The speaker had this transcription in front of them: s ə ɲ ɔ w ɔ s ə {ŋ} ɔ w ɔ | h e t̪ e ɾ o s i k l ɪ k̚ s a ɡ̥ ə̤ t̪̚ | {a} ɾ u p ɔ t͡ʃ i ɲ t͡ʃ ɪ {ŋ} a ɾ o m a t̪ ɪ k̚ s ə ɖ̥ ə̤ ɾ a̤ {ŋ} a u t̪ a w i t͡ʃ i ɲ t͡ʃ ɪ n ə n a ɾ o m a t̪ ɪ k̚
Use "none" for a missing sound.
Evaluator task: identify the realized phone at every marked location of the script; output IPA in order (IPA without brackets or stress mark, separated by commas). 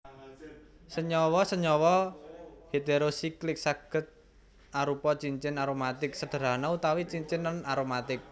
ɲ, a, n, n